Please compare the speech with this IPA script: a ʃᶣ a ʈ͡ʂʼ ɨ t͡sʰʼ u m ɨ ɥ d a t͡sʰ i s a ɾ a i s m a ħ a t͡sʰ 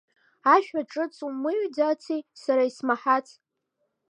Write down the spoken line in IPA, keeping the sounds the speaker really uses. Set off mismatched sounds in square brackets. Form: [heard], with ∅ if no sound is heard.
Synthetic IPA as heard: a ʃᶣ a ʈ͡ʂʼ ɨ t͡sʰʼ u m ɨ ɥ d a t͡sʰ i s a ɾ a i s m a ħ a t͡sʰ